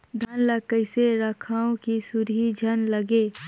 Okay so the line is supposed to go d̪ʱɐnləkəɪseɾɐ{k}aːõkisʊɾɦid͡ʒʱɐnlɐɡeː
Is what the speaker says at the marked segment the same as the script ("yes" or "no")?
no